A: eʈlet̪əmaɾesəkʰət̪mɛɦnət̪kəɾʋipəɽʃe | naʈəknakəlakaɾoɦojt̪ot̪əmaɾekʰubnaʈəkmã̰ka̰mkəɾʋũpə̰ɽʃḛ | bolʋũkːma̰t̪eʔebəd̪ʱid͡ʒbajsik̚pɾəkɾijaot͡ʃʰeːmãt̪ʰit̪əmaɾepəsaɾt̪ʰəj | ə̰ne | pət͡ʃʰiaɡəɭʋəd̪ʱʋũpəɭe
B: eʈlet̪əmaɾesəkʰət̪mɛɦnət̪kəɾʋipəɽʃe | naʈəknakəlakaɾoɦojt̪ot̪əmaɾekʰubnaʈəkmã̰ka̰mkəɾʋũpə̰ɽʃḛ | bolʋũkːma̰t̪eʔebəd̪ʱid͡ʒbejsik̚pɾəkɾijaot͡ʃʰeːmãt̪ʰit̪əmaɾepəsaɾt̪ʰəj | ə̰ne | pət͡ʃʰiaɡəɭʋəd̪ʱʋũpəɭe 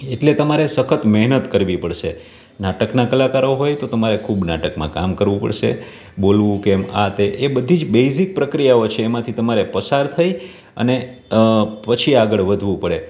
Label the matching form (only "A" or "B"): B